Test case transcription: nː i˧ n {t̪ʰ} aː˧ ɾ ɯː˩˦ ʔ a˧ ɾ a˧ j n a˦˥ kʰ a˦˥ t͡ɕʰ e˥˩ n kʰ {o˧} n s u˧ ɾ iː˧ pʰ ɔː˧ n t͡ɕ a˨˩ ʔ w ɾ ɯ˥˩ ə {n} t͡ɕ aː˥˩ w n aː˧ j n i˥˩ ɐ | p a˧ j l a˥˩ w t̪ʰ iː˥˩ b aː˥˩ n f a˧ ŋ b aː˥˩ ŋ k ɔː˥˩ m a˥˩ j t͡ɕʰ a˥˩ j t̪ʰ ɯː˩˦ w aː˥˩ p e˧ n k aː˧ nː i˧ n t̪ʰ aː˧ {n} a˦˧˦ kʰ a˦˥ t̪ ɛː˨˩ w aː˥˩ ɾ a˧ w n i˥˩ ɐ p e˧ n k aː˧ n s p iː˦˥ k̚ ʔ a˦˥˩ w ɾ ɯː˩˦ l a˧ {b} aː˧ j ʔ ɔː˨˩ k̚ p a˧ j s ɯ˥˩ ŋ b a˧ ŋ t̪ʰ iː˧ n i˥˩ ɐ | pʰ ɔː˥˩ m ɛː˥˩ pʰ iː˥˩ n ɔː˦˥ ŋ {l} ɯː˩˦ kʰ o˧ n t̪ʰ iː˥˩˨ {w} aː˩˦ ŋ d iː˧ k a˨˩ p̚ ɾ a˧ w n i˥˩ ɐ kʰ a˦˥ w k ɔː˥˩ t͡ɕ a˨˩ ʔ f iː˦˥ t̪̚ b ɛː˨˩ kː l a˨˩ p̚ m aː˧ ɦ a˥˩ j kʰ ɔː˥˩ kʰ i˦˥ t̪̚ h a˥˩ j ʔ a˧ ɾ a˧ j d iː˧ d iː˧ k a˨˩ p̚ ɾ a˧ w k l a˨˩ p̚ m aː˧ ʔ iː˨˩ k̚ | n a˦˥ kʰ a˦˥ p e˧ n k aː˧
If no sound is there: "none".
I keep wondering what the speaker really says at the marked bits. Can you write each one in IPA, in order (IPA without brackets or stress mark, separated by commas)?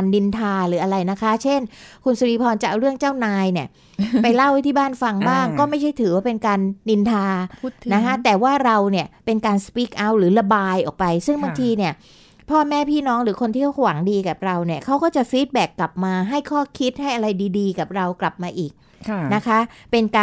t̪ʰ, u˧, ŋ, n, b, ɾ, w